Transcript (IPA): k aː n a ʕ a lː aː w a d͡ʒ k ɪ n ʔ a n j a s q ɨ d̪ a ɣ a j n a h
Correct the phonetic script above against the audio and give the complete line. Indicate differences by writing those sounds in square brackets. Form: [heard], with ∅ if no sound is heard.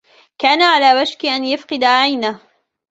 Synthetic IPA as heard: k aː n a ʕ a [l] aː w a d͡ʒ k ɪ [∅] ʔ a n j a [f] q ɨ d̪ a [ʕ] a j n a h